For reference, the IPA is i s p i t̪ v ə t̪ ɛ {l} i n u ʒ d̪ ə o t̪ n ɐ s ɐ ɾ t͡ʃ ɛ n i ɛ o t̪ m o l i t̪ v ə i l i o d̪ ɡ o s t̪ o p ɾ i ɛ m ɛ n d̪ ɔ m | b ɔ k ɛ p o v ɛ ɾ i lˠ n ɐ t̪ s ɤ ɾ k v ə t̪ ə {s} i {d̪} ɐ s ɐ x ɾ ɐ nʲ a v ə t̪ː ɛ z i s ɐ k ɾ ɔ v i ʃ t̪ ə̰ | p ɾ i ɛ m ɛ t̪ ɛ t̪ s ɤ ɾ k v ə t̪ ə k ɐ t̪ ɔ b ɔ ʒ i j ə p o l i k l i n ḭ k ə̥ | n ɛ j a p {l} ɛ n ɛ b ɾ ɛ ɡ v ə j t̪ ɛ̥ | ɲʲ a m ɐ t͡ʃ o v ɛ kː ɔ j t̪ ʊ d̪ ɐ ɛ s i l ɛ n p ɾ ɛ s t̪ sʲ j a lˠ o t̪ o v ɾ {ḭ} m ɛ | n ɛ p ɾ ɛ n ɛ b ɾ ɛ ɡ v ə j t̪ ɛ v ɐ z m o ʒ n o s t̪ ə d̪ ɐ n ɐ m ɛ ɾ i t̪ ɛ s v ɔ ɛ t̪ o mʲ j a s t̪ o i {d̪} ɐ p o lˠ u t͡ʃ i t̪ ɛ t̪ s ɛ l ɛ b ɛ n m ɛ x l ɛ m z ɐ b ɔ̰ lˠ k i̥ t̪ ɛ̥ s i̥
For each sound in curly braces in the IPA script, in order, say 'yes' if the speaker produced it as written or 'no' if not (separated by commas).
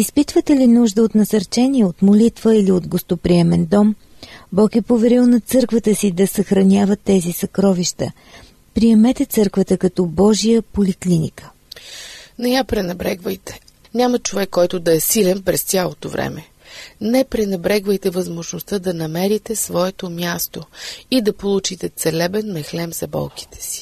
yes, yes, yes, no, no, yes